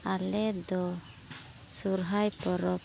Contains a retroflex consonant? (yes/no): no